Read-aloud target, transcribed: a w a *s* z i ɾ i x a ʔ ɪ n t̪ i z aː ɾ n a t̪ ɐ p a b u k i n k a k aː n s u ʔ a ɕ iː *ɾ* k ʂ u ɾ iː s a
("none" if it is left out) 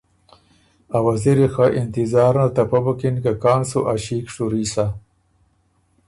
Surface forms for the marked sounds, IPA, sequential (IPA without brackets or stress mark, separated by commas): none, none